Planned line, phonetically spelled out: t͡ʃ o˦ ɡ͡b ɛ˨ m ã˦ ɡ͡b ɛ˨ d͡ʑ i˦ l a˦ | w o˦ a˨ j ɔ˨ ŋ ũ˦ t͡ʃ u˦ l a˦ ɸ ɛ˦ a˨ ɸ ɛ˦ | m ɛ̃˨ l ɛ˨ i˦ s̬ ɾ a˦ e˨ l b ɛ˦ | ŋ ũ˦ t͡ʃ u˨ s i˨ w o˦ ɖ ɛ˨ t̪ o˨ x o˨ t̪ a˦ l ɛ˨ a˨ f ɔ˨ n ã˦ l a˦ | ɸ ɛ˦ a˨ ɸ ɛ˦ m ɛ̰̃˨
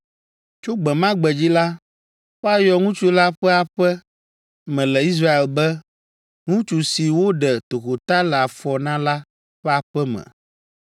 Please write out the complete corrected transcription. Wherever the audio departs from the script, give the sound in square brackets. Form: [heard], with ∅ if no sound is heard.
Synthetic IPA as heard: t͡ʃ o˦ ɡ͡b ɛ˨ m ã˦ ɡ͡b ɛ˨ d͡ʑ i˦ l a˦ | w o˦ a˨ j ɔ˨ ŋ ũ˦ t͡ʃ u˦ l a˦ ɸ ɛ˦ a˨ ɸ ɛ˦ | m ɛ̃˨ l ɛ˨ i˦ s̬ ɾ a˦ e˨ l b ɛ˦ | ŋ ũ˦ t͡ʃ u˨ s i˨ w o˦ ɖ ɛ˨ t̪ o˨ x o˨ t̪ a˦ l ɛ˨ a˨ f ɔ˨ n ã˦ l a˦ | ɸ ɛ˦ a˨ ɸ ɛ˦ m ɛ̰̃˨

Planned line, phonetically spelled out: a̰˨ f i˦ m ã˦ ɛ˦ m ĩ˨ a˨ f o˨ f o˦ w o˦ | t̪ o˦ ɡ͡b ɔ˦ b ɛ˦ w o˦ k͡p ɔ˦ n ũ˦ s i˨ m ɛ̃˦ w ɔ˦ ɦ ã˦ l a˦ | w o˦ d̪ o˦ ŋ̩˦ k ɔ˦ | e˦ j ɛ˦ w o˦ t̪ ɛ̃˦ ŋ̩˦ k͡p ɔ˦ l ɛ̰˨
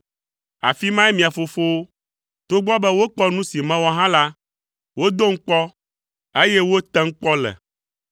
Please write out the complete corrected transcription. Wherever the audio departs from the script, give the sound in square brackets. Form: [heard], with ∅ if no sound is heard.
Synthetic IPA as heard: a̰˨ f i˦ m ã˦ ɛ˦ m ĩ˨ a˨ f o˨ f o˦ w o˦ | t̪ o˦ ɡ͡b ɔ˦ b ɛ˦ w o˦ k͡p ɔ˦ n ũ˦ s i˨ m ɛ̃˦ w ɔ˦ ɦ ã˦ l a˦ | w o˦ d̪ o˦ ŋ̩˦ [k͡p] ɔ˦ | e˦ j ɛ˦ w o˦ t̪ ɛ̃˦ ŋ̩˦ k͡p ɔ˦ l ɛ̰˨

